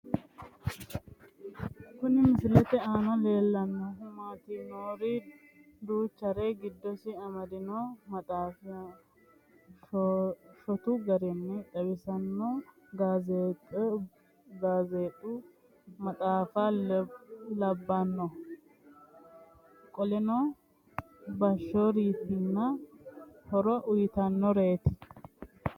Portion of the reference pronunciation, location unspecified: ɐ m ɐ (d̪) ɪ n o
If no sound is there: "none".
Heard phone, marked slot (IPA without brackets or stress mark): d̪